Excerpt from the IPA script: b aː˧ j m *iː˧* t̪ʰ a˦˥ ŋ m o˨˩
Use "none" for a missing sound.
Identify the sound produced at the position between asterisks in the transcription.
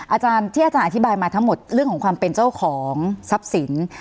aː˧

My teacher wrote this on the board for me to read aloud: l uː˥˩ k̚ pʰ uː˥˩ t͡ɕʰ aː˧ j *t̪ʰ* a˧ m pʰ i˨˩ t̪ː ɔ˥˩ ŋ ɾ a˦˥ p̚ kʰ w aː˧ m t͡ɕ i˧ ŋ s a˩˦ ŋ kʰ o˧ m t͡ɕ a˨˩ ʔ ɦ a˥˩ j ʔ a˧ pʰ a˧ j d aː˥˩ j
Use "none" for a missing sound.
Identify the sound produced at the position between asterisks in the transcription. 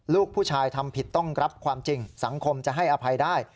t̪ʰ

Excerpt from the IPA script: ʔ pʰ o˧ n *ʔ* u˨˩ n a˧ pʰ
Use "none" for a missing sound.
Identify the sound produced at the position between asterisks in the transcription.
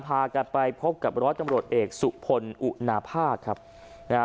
ʔ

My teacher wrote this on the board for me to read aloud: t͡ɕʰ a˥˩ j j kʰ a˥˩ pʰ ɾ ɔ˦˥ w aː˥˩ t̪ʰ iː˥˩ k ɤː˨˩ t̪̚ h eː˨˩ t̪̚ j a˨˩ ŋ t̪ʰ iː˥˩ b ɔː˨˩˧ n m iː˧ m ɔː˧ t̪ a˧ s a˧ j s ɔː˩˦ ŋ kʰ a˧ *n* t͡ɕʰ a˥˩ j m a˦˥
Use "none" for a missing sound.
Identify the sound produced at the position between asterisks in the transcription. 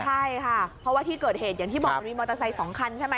n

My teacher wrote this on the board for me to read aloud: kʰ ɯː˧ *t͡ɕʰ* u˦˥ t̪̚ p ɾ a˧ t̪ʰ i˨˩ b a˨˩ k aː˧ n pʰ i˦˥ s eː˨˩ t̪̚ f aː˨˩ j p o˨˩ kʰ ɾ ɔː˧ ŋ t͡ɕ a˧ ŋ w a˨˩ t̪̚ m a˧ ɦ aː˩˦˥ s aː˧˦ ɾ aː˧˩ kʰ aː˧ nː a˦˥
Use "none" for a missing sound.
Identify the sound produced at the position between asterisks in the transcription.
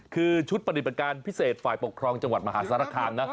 t͡ɕʰ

